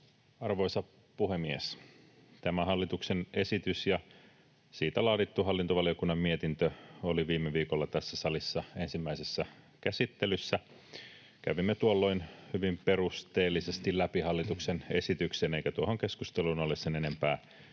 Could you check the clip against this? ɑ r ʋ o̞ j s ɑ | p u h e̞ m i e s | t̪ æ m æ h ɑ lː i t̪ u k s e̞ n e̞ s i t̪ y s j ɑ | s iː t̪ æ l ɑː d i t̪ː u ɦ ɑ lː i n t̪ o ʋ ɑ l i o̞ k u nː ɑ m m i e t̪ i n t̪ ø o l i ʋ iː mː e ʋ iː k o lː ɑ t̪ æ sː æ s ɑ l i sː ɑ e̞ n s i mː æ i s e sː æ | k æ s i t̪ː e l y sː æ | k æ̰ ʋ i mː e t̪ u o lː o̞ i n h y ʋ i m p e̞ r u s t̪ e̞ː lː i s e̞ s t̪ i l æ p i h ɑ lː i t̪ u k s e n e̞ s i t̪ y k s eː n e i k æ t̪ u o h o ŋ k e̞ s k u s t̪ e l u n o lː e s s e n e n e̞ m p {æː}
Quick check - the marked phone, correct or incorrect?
correct